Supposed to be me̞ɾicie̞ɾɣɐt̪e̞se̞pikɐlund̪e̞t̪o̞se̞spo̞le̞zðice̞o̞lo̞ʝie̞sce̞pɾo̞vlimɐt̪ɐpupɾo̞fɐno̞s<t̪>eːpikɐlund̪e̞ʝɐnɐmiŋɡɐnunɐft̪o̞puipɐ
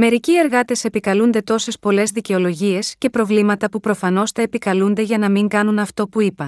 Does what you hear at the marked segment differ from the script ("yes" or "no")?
no